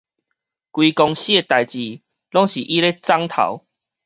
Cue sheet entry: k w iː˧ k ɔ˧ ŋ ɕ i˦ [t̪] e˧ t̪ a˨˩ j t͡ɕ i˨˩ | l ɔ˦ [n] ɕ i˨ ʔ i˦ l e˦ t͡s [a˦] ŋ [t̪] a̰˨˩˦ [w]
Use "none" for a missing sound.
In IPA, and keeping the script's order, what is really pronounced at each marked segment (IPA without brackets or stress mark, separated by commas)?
none, ŋ, a˦, t̪ʰ, w